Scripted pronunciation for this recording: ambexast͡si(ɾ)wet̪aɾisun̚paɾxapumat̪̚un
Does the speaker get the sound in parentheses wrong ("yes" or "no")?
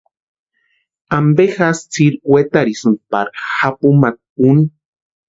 no